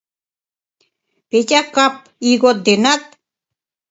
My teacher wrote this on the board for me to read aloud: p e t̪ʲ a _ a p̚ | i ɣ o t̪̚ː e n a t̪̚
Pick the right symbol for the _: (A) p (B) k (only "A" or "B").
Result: B